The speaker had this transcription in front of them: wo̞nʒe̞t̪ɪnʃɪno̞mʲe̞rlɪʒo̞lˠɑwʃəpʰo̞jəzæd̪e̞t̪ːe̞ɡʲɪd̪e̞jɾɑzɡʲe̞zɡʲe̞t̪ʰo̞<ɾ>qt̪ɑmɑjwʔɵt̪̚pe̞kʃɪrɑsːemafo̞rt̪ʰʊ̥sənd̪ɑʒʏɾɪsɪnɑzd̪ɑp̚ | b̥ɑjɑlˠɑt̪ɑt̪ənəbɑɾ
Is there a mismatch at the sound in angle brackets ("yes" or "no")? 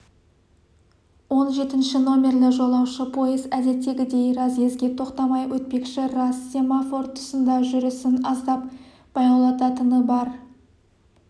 yes